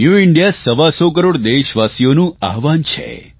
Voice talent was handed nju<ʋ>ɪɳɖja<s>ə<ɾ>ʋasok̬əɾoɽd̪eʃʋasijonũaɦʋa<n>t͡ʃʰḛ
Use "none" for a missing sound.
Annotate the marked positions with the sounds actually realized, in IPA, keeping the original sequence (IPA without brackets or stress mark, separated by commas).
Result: none, s, none, n